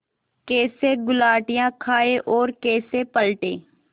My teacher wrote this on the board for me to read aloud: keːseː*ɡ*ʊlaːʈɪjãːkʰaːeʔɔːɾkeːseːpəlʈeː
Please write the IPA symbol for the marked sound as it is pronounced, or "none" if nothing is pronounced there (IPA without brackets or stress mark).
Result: ɡ